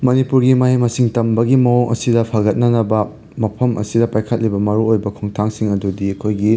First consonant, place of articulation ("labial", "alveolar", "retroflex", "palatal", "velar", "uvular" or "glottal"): labial